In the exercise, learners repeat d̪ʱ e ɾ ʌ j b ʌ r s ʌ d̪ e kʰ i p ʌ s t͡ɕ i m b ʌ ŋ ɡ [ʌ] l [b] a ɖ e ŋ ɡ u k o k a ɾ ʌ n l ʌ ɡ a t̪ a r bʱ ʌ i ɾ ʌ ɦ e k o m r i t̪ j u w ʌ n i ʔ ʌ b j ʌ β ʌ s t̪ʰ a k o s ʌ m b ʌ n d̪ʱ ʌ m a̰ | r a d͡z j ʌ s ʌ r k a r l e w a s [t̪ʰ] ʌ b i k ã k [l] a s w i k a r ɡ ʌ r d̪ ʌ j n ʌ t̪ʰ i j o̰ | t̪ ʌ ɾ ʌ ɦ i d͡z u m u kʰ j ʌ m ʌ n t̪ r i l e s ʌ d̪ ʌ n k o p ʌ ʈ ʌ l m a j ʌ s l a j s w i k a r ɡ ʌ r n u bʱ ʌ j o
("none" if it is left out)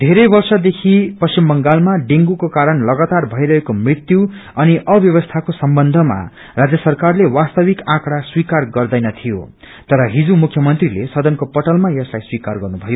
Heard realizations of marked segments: a, m, t̪, ɽ

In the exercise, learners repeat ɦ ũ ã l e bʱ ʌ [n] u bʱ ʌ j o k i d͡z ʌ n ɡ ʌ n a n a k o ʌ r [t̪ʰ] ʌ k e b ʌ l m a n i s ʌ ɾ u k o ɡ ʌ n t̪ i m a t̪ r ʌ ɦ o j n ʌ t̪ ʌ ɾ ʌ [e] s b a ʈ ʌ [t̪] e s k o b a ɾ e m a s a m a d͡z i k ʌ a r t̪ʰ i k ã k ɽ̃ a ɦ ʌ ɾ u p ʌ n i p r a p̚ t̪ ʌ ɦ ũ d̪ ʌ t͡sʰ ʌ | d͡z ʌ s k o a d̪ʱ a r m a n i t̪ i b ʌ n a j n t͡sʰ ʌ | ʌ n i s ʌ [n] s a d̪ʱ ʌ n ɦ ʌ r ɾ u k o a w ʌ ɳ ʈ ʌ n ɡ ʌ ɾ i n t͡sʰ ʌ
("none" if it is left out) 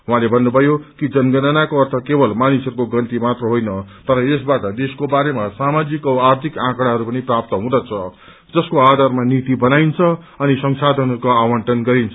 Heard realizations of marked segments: nː, t̪ʰ, e, d̪, ŋ

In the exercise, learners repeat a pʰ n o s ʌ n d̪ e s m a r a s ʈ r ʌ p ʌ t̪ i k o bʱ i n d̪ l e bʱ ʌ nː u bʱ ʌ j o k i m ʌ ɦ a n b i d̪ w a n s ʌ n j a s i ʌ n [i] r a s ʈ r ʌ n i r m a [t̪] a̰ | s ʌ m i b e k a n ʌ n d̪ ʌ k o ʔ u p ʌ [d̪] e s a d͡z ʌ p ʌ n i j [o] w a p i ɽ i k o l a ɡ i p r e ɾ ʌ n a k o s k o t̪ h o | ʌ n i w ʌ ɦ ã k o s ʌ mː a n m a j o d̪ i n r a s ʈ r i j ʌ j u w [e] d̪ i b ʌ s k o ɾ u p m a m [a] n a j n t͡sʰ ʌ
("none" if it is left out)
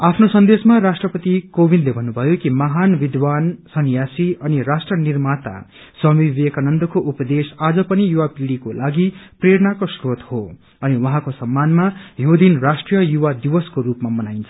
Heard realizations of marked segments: i, t̪, d̪, u, a, ʌ

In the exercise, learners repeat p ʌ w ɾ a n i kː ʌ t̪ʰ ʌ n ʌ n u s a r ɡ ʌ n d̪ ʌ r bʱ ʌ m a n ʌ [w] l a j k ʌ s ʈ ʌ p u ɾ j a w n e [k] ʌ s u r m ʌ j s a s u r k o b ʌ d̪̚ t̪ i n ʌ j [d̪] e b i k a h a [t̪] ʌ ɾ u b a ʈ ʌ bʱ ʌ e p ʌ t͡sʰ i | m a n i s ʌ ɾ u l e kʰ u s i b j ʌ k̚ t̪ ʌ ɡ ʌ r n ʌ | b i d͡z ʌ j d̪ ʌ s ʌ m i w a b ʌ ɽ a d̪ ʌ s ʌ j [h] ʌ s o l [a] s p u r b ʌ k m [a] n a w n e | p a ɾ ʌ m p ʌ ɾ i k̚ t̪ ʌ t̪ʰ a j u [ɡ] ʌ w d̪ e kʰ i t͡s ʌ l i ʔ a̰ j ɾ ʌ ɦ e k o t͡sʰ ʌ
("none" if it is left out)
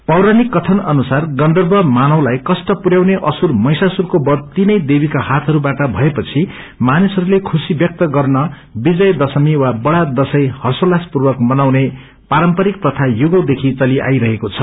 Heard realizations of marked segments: w, ʔ, d̪, t̪ʰ, h, a, ʌ, ɡ

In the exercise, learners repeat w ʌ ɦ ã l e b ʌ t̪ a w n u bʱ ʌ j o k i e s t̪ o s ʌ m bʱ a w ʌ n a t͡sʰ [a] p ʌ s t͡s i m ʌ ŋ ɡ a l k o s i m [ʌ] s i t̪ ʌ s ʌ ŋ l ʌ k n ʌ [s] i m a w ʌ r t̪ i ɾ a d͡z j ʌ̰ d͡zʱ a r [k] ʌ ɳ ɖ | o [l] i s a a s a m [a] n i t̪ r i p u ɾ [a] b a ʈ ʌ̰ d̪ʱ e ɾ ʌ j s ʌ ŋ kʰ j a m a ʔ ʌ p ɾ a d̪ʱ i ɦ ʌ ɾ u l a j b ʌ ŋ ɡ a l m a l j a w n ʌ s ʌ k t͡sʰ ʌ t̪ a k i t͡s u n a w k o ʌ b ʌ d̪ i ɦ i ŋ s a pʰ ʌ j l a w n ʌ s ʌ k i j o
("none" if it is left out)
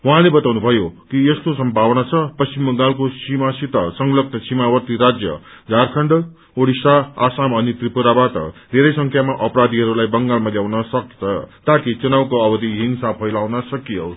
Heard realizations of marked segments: ʌ, a, s, kʰ, ɽ, ʌ, a

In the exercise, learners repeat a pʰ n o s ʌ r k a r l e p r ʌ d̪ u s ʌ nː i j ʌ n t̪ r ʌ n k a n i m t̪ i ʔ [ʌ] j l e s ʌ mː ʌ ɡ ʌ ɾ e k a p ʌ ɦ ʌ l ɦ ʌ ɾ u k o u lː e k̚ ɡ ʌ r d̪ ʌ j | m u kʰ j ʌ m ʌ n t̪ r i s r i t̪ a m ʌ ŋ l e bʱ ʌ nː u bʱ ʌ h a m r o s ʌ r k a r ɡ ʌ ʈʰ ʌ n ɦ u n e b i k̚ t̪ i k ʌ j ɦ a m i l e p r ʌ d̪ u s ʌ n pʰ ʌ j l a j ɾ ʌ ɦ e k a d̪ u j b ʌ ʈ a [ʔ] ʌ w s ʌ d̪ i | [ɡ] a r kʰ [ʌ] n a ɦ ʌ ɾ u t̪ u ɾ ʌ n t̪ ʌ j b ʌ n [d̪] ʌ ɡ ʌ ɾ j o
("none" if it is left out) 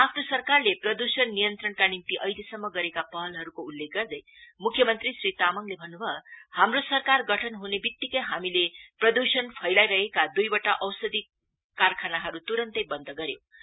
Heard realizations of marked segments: ʌ, ʔ, k, a, d̪

